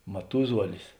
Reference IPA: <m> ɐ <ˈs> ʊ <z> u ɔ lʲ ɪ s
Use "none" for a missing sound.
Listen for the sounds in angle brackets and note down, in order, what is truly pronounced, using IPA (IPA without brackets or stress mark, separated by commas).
m, t, z